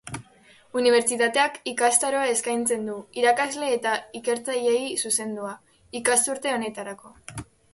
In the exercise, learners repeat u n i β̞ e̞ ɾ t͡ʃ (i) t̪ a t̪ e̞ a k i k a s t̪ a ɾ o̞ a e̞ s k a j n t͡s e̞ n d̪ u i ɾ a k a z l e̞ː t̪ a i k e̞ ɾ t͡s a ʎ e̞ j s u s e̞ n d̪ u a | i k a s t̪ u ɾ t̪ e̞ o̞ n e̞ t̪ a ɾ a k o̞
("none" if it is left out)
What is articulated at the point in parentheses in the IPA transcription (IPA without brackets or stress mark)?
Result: i